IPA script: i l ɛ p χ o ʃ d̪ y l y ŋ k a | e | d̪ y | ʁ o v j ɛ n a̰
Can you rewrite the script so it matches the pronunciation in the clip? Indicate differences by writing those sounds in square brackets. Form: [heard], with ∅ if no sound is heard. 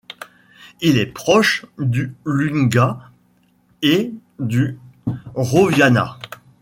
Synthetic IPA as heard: i l ɛ p χ [ɔ] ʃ d̪ y l y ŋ [ɡ] a | e | d̪ y | ʁ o v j [a] n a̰

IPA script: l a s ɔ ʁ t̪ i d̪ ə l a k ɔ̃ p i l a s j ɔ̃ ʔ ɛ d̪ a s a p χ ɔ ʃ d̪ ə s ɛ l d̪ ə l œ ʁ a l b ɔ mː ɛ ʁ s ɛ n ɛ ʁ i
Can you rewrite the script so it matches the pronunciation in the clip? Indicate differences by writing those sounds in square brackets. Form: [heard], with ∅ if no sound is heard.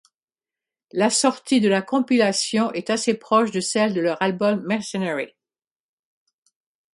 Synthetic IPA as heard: l a s ɔ ʁ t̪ i d̪ ə l a k ɔ̃ p i l a s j ɔ̃ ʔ ɛ [t̪] a s [e] p χ ɔ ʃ d̪ ə s ɛ l d̪ ə l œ ʁ a l b ɔ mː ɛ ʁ s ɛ n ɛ ʁ i

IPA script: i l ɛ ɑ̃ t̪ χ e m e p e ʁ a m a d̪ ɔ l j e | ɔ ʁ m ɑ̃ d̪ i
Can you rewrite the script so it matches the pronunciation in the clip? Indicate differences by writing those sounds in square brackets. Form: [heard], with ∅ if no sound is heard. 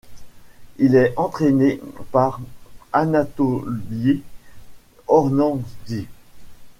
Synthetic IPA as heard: i l ɛ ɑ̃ t̪ χ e [n] e p [a] ʁ a [n] a [t̪] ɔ l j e | ɔ ʁ [n] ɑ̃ d̪ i

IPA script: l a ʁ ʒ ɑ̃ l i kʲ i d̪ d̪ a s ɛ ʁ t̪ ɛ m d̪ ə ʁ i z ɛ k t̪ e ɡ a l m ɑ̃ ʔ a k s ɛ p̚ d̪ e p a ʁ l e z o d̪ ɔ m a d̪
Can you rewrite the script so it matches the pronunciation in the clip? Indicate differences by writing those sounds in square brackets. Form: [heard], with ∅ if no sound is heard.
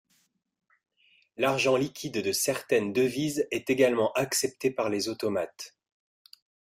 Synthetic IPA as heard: l a ʁ ʒ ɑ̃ l i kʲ i d̪ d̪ [ə] s ɛ ʁ t̪ ɛ [n] d̪ ə [v] i z ɛ [∅] t̪ e ɡ a l m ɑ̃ ʔ a k s ɛ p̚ [t̪] e p a ʁ l e z o [t̪] ɔ m a [t̪]

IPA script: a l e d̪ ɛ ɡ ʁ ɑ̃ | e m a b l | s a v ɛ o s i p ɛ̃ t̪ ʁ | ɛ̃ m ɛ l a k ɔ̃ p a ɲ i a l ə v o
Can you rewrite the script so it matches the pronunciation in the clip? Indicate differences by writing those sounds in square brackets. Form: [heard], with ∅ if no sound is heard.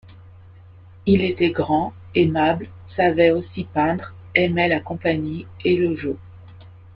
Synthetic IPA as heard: [i] l e [t̪] ɛ ɡ ʁ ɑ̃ | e m a b l | s a v ɛ o s i p ɛ̃ [d̪] ʁ | [ɛ] m ɛ l a k ɔ̃ p a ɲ i [e] l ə [ʒ] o

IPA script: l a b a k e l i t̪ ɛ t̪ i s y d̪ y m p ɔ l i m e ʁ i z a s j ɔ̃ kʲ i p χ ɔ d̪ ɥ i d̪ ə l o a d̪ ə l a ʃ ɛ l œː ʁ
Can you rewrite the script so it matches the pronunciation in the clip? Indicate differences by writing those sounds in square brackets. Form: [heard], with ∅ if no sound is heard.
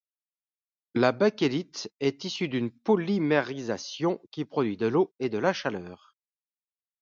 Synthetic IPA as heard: l a b a k e l i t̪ ɛ t̪ i s y d̪ y [n] p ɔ l i m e ʁ i z a s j ɔ̃ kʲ i p χ ɔ d̪ ɥ i d̪ ə l o [e] d̪ ə l a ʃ [a] l œː ʁ

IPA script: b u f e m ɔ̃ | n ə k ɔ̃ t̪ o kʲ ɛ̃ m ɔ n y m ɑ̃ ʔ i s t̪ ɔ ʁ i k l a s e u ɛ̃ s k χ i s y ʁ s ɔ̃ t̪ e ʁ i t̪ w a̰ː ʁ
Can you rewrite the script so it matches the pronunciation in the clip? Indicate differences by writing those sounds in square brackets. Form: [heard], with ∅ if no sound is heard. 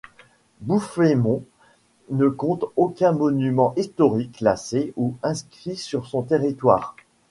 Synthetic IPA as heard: b u f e m ɔ̃ | n ə k ɔ̃ t̪ o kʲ ɛ̃ m ɔ n y m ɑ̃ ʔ i s t̪ ɔ ʁ i k l a s e u ɛ̃ s k χ i s y ʁ s ɔ̃ t̪ e ʁ i t̪ w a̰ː ʁ

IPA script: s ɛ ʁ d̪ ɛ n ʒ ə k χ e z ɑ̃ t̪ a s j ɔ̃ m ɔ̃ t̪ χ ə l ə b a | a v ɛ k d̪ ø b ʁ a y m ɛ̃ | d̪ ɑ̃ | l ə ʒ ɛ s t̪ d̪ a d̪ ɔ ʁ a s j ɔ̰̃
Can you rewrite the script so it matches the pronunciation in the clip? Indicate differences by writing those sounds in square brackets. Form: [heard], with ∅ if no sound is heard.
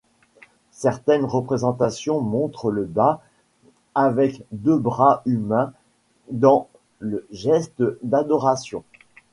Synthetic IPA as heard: s ɛ ʁ [t̪] ɛ n [ʁ] ə [p] χ e z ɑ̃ t̪ a s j ɔ̃ m ɔ̃ t̪ χ ə l ə b a | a v ɛ k d̪ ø b ʁ a y m ɛ̃ | d̪ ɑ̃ | l ə ʒ ɛ s t̪ d̪ a d̪ ɔ ʁ a s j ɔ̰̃

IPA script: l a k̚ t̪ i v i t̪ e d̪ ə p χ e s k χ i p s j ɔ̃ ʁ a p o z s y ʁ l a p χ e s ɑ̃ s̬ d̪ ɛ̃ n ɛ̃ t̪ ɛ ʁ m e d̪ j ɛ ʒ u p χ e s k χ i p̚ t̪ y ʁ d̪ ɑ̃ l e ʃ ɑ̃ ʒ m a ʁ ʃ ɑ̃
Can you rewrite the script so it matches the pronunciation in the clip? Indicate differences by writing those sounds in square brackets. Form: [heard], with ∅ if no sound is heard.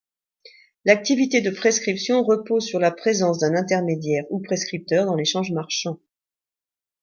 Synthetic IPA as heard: l a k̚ t̪ i v i t̪ e d̪ ə p χ e s k χ i p s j ɔ̃ ʁ [ə] p o z s y ʁ l a p χ e [z] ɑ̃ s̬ d̪ ɛ̃ n ɛ̃ t̪ ɛ ʁ m e d̪ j ɛ [ʁ] u p χ e s k χ i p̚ t̪ [œ] ʁ d̪ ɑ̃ l e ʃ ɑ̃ ʒ m a ʁ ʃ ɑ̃

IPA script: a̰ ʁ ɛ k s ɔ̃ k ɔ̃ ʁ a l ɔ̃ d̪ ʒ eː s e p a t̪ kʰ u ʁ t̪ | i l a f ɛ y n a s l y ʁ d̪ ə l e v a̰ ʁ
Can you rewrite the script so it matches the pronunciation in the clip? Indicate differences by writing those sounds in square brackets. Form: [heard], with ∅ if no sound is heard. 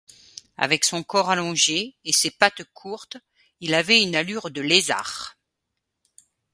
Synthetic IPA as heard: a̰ [v] ɛ k s ɔ̃ k [ɔ] ʁ a l ɔ̃ [∅] ʒ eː s e p a t̪ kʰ u ʁ t̪ | i l a [v] ɛ y n a [∅] l y ʁ d̪ ə l e [z] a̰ ʁ

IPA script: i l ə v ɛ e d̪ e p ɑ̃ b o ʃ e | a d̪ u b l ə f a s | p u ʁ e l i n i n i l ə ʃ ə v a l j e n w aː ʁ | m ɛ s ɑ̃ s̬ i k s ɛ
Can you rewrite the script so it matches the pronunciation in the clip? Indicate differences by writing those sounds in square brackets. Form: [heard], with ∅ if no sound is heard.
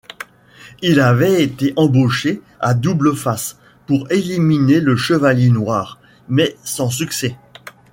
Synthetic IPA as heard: i l [a] v ɛ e [t̪] e [ʔ] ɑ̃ b o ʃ e | a d̪ u b l ə f a s | p u ʁ e l i [m] i n [e] l ə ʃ ə v a l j e n w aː ʁ | m ɛ s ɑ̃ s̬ [y] k s ɛ

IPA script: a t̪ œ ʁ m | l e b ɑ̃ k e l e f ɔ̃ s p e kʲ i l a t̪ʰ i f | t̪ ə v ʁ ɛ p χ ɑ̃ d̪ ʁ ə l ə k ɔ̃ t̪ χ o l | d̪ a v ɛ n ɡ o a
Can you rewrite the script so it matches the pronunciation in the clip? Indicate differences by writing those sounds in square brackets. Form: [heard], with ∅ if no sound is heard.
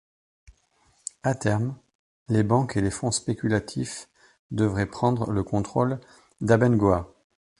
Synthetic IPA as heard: a t̪ [ɛ] ʁ m | l e b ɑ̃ k e l e f ɔ̃ s p e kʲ [y] l a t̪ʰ i f | [d̪] ə v ʁ ɛ p χ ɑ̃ d̪ ʁ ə l ə k ɔ̃ t̪ χ o l | d̪ a [b] ɛ n ɡ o a

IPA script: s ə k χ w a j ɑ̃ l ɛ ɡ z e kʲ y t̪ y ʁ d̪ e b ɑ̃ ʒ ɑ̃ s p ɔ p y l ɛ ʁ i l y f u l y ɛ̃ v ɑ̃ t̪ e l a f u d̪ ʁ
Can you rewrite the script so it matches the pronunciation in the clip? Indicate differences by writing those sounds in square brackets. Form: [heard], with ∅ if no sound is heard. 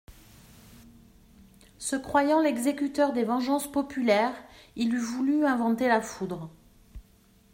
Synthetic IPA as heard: s ə k χ w a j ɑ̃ l ɛ ɡ z e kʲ y t̪ [œ] ʁ d̪ e [v] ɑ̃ ʒ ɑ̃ s p ɔ p y l ɛ ʁ i l y [v] u l y ɛ̃ v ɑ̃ t̪ e l a f u d̪ ʁ

